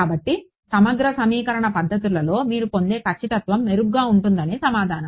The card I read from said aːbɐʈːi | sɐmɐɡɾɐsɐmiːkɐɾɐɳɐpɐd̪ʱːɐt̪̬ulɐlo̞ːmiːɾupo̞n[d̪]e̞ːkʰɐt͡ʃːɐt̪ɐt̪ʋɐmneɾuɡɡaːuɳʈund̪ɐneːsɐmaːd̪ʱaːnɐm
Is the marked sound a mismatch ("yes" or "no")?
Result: no